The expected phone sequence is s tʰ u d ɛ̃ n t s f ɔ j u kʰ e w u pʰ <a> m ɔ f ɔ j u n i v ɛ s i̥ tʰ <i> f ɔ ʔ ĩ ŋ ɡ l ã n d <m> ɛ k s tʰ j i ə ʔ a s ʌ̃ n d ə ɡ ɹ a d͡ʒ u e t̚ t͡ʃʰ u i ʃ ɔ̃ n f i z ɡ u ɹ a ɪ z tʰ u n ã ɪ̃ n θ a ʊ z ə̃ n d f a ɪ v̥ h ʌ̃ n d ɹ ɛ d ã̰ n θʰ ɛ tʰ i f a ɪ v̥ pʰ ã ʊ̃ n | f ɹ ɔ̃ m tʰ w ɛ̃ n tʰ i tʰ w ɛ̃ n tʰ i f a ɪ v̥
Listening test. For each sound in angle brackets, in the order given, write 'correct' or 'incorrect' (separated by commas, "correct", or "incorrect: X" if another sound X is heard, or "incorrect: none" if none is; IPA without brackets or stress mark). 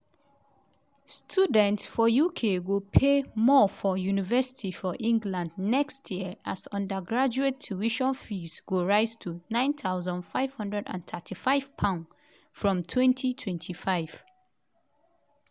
incorrect: e, correct, incorrect: n